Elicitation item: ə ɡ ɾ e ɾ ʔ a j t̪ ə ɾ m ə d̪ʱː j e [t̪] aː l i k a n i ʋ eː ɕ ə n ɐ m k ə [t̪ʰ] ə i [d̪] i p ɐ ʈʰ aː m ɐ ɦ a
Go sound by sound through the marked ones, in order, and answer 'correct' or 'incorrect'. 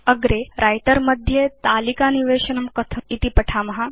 correct, correct, incorrect

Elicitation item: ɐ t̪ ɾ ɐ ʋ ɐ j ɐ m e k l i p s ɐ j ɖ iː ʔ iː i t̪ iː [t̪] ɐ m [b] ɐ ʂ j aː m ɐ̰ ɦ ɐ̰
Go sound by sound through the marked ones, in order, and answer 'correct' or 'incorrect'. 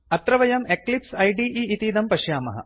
incorrect, incorrect

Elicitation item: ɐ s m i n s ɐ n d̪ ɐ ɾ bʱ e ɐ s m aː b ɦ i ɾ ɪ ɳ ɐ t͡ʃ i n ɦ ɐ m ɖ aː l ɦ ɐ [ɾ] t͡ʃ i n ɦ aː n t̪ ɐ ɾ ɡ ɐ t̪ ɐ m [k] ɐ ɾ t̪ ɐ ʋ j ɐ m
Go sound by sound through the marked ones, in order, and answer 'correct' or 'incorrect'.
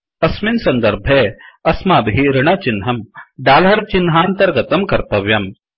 correct, correct

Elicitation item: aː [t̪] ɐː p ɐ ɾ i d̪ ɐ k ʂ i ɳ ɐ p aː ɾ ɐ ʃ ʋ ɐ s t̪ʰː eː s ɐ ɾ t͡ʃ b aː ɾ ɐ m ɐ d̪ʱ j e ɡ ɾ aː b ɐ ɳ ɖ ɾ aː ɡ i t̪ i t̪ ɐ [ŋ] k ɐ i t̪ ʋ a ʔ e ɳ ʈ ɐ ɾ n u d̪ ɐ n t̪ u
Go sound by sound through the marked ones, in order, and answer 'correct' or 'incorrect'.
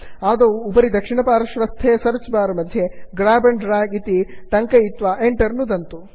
incorrect, correct

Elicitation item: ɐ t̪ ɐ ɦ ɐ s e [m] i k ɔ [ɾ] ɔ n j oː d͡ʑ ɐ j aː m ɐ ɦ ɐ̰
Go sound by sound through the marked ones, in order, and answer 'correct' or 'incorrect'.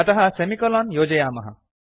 correct, incorrect

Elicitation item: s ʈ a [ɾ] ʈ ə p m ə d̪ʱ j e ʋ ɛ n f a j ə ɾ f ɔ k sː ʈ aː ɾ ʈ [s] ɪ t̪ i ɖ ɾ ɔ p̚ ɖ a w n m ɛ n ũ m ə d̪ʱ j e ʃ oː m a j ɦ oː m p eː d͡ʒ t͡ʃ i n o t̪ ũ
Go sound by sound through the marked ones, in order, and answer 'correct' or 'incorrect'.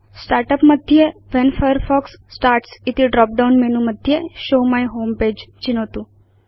correct, correct

